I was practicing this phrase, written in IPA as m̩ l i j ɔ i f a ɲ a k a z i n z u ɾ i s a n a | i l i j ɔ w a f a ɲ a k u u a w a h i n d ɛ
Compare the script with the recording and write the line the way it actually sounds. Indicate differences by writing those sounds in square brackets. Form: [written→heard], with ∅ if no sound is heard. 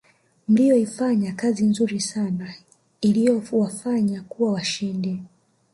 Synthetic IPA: m̩ l i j ɔ i f a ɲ a k a z i n z u ɾ i s a n a | i l i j ɔ w a f a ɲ a k u [u→w] a w a [h→ʃ] i n d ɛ